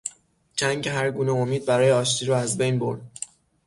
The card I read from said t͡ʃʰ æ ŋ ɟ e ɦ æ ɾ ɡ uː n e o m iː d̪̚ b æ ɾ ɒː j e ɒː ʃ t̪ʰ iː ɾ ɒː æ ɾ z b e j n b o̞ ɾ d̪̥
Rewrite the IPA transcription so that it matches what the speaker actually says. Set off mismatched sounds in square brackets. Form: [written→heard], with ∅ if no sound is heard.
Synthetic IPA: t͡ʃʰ æ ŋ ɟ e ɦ æ ɾ ɡ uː n e o m iː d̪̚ b æ ɾ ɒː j e ɒː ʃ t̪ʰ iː ɾ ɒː æ [ɾ→∅] z b e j n b o̞ ɾ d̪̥